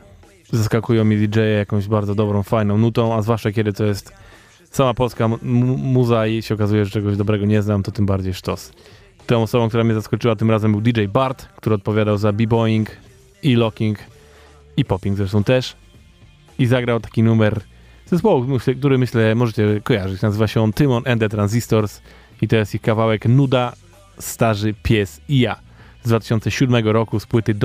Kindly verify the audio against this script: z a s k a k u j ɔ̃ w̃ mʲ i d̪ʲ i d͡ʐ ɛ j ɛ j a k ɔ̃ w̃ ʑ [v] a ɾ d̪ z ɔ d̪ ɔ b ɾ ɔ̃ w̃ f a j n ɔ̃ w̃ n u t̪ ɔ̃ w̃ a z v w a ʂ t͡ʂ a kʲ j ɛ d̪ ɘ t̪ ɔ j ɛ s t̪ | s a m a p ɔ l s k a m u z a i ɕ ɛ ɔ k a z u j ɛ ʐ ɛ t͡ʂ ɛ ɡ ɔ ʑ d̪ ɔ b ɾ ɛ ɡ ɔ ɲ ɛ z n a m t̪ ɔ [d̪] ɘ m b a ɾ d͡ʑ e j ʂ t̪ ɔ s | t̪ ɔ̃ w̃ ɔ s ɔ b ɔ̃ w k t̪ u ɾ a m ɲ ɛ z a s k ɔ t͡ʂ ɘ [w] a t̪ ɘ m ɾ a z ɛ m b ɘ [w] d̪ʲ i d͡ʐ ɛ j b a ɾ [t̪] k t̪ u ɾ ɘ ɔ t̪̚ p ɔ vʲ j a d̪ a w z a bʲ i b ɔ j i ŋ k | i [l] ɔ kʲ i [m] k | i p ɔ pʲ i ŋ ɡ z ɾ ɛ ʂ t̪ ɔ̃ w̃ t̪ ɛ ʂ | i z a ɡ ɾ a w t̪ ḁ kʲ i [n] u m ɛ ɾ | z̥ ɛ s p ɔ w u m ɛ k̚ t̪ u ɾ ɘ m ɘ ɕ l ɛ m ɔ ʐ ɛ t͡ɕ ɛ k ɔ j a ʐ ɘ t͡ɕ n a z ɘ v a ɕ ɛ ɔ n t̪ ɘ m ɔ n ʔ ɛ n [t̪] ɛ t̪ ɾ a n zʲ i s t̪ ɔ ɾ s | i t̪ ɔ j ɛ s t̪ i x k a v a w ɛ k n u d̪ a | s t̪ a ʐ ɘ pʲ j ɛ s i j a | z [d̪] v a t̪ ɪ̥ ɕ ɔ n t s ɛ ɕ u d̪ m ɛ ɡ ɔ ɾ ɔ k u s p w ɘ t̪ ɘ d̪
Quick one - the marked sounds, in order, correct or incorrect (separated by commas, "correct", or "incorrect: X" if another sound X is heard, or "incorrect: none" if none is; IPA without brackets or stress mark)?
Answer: incorrect: b, incorrect: t̪, correct, correct, correct, correct, incorrect: ŋ, correct, incorrect: d̪, correct